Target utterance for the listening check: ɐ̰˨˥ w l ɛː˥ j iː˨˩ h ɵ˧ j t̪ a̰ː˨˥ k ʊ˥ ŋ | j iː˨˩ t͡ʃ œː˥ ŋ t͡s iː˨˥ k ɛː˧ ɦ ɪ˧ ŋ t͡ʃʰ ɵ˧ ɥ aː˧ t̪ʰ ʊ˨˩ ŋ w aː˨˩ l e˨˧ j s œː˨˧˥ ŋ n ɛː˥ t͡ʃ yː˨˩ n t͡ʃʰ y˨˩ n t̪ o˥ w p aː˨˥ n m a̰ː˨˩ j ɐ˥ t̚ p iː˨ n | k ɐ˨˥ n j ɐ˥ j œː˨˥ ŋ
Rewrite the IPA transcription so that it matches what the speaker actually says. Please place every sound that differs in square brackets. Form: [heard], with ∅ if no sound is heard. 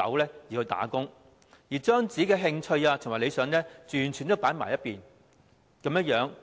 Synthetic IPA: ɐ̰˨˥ w l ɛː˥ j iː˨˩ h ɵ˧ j t̪ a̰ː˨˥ k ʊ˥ ŋ | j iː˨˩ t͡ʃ œː˥ ŋ t͡s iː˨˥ k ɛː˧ ɦ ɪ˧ ŋ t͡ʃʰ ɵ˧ ɥ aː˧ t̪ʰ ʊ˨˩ ŋ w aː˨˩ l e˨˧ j s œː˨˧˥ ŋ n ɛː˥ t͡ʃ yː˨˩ n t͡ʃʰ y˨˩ n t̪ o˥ w p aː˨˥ n m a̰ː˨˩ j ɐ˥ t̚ p iː˨ n | k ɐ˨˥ [m] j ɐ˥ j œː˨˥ ŋ